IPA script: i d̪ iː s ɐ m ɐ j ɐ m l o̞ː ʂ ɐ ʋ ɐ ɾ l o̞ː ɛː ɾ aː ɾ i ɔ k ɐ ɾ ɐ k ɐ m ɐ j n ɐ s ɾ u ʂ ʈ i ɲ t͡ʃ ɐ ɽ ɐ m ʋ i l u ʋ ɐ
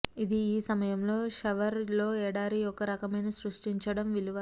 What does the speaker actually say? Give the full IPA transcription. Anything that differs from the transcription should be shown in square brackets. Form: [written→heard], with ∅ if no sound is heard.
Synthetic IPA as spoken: i d̪ iː s ɐ m ɐ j ɐ m l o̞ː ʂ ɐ ʋ ɐ ɾ l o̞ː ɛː [ɾ→ɽ] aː ɾ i ɔ k ɐ ɾ ɐ k ɐ m ɐ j n ɐ s ɾ u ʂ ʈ i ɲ t͡ʃ ɐ ɽ ɐ m ʋ i l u ʋ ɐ